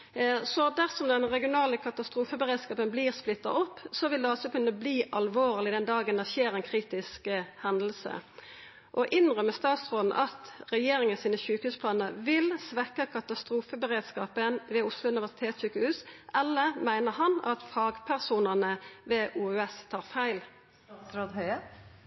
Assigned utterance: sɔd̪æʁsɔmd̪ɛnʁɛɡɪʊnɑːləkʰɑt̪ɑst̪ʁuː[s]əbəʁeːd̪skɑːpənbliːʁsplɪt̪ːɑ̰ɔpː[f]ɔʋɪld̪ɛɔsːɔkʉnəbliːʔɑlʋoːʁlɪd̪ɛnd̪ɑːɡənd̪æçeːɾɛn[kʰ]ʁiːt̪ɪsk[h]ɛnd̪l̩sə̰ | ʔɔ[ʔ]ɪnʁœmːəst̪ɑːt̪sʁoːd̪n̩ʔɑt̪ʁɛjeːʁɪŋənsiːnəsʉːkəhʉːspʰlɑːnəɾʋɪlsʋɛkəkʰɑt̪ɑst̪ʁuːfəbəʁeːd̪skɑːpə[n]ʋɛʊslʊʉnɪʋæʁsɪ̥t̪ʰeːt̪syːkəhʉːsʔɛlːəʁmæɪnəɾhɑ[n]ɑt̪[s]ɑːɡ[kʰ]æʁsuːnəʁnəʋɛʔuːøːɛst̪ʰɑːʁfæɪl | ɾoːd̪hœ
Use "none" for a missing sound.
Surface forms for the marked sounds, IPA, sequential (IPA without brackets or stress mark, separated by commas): f, s, kʰ, h, ʔ, n, n, f, pʰ